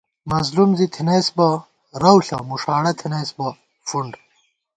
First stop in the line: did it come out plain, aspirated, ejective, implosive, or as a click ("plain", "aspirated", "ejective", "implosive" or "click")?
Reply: aspirated